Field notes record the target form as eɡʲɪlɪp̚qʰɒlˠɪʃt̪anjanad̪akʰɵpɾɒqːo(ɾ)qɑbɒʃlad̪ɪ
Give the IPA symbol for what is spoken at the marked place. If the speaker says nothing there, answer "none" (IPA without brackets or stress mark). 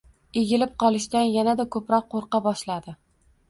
ɾ